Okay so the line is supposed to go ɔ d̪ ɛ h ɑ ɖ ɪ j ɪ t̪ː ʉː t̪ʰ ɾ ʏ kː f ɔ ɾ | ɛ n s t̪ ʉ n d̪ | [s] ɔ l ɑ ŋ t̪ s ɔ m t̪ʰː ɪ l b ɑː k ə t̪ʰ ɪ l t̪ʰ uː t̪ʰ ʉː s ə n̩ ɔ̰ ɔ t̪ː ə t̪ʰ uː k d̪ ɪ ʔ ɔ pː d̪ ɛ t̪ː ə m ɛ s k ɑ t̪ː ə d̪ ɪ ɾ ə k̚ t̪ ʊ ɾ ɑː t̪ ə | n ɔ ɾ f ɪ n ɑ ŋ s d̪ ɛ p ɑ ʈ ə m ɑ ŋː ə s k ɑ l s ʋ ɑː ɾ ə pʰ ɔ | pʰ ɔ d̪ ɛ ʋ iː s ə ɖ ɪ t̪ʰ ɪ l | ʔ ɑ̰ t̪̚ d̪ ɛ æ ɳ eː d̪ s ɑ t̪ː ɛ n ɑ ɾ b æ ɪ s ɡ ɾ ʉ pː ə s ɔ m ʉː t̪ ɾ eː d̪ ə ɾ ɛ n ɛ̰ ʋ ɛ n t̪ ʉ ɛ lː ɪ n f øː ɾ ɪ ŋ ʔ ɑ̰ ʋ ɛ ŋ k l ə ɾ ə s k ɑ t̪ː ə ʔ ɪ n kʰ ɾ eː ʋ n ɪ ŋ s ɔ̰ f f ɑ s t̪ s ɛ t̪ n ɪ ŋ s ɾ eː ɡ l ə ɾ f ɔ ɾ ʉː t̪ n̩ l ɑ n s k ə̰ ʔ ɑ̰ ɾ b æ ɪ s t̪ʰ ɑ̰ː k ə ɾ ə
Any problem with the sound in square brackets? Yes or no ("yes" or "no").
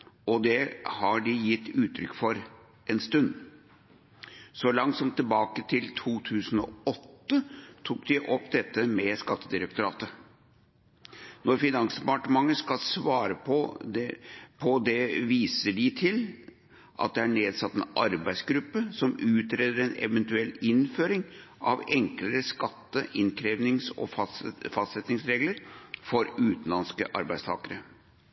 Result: no